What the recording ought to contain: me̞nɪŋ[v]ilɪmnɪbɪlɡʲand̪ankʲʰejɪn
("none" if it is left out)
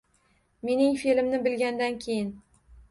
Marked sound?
f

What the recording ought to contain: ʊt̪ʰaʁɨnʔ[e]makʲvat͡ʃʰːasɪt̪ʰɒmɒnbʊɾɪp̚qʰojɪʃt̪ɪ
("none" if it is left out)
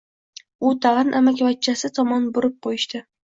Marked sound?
a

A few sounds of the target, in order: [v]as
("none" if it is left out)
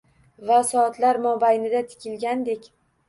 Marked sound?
v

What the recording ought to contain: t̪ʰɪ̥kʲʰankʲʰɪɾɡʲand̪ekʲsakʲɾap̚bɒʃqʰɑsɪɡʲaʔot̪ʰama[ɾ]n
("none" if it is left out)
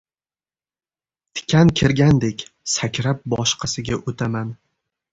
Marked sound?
none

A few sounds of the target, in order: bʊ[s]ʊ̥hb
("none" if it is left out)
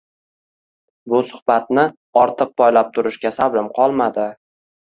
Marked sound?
s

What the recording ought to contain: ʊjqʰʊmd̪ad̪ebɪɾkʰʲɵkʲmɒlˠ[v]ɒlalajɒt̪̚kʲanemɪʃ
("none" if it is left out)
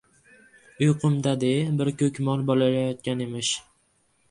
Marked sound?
b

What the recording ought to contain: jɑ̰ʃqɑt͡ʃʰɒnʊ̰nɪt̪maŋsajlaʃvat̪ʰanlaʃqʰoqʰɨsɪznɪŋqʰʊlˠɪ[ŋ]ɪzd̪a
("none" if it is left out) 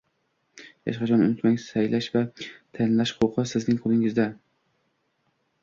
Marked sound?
ŋ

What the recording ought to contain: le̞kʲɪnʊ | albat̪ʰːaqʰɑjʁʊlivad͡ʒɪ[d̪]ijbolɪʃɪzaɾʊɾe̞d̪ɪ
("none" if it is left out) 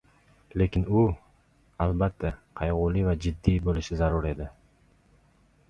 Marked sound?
d̪ː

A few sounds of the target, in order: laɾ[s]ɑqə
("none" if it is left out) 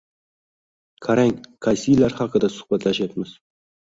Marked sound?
χ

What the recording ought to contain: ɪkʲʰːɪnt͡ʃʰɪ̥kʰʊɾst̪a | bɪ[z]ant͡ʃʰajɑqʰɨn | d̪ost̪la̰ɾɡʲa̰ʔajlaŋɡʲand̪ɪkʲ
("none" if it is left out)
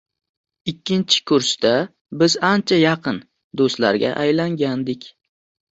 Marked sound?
z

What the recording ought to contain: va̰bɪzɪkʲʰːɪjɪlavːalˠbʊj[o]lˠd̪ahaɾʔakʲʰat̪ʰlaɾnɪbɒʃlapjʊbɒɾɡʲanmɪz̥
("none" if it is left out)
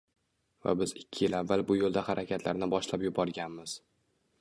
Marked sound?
o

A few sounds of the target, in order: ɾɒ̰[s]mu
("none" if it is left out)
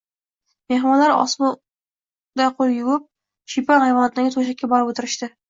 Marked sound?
s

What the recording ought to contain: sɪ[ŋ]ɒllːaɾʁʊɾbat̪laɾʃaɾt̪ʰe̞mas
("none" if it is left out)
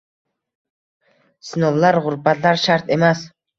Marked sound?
n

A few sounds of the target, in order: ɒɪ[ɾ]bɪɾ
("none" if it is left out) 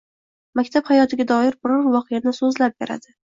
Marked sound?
ɾ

